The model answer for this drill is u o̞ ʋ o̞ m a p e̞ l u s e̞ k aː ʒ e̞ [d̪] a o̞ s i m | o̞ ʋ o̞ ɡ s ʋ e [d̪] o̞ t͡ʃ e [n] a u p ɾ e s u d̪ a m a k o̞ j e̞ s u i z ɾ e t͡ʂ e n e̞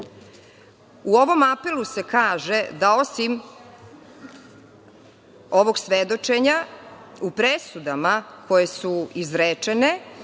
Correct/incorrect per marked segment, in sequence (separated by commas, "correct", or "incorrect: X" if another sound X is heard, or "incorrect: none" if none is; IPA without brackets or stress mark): correct, correct, incorrect: ɲ